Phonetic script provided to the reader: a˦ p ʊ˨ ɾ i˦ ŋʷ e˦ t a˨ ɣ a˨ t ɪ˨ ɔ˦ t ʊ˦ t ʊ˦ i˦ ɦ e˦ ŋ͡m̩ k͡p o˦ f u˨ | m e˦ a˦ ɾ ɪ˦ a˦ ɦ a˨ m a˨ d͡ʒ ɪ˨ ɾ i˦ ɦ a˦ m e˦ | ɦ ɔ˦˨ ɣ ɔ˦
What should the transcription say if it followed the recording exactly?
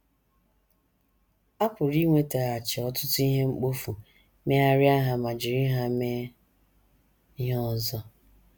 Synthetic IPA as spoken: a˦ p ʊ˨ ɾ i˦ ŋʷ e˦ t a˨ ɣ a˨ t͡ʃ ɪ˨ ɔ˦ t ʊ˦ t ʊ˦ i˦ ɦ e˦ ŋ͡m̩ k͡p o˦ f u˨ | m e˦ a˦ ɾ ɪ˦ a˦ ɦ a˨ m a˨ d͡ʒ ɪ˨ ɾ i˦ ɦ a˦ m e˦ | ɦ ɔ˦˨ z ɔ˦

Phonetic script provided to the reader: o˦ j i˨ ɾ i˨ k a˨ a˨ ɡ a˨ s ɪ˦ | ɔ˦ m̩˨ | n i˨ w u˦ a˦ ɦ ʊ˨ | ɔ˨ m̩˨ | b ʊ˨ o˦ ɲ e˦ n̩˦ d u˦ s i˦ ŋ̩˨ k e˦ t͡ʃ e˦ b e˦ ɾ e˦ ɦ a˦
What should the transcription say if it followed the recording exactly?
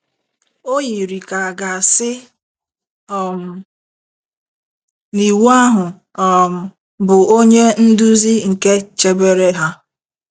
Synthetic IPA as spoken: o˦ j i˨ ɾ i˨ k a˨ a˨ ɡ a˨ s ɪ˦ | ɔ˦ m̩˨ | n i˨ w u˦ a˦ ɦ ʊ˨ | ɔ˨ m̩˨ | b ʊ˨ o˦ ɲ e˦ n̩˦ d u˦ z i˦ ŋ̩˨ k e˦ t͡ʃ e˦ b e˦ ɾ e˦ ɦ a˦

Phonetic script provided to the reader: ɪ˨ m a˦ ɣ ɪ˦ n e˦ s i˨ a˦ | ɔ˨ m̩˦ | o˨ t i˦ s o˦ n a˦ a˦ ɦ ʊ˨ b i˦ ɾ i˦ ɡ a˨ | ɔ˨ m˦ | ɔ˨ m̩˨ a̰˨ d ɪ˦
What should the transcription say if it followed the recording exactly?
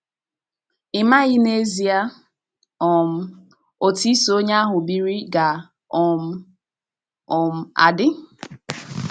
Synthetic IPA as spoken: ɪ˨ m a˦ ɣ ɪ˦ n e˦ z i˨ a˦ | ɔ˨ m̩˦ | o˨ t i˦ s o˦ ɲ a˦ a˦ ɦ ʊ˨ b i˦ ɾ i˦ ɡ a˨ | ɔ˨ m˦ | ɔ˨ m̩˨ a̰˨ d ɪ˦

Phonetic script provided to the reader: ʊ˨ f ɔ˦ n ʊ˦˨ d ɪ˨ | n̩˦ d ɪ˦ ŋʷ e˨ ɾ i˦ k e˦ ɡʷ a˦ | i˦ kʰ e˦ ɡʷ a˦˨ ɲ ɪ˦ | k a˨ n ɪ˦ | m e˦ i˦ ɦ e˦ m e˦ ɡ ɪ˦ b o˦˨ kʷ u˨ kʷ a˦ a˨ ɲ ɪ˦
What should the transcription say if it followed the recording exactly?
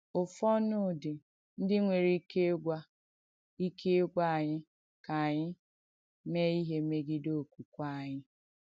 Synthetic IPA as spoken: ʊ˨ f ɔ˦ n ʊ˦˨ d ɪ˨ | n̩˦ d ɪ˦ ŋʷ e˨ ɾ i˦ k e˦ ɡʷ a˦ | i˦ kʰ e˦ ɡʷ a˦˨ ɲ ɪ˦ | k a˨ ɲ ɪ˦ | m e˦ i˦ ɦ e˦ m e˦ ɡ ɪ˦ d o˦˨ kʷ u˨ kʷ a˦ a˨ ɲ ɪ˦

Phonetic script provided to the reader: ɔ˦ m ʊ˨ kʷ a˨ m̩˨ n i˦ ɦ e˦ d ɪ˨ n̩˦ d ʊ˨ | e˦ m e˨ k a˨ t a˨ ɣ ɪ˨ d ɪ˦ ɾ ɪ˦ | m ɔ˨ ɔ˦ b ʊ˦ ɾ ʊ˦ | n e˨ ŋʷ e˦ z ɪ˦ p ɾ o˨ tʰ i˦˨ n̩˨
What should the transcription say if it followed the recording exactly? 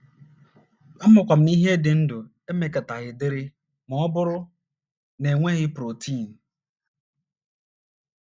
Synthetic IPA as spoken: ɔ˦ m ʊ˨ kʷ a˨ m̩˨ n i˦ ɦ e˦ d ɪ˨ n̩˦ d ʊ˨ | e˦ m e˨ k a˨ t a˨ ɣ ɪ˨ d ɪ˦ ɾ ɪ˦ | m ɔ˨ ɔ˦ b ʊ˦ ɾ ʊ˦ | n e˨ ŋʷ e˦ ɣ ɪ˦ p ɾ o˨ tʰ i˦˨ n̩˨

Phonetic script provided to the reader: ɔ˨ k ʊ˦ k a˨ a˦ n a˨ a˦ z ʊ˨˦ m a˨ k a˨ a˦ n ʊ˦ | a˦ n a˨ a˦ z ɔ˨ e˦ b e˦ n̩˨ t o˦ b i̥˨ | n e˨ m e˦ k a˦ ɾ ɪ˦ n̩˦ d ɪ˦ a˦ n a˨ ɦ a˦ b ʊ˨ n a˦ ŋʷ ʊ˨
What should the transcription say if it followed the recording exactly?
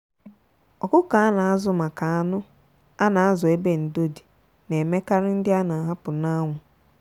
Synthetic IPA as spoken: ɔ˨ k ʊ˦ k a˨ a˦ n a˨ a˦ z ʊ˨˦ m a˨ k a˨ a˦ n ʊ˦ | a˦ n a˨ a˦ z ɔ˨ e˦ b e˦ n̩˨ d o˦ d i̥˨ | n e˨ m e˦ k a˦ ɾ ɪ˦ n̩˦ d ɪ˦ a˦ n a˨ ɦ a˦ p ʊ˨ n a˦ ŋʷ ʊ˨

